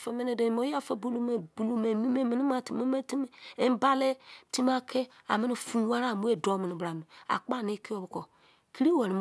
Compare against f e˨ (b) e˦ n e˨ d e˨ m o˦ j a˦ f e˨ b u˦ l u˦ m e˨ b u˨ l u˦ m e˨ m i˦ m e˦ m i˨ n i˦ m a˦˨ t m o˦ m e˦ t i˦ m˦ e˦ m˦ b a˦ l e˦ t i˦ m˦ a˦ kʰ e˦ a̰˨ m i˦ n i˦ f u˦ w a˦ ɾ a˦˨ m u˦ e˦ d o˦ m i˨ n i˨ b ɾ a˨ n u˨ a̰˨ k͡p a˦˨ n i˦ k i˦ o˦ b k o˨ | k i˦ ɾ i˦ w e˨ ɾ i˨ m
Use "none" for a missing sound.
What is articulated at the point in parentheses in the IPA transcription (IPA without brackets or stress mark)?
m